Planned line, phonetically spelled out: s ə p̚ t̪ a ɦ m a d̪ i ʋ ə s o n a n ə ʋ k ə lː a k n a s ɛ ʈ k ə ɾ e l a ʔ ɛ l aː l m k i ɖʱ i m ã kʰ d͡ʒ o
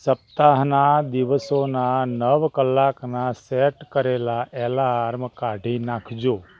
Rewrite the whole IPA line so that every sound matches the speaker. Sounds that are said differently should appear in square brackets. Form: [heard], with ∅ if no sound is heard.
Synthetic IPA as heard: s ə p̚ t̪ a ɦ [n] a d̪ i ʋ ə s o n a n ə ʋ k ə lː a k n a s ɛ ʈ k ə ɾ e l a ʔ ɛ l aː [ɾ] m k [a] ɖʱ i [n] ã kʰ d͡ʒ o